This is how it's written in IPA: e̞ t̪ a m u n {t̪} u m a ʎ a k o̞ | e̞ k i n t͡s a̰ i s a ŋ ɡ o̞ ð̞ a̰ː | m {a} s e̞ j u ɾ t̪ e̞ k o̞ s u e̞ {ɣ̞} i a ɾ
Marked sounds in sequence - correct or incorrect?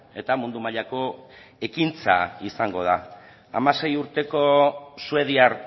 incorrect: d̪, correct, incorrect: ð̞

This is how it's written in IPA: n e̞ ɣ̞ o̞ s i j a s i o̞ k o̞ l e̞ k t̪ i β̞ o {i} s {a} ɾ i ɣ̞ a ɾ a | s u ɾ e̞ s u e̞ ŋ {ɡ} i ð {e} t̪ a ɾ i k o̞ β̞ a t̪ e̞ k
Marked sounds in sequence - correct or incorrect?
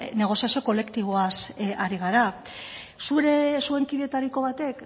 incorrect: a, correct, incorrect: k, correct

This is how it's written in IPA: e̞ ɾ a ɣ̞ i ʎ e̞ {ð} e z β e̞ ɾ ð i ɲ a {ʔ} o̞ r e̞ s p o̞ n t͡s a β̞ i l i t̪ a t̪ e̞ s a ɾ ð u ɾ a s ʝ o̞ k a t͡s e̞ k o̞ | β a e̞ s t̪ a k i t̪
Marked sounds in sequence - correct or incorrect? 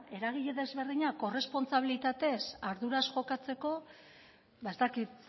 correct, incorrect: k

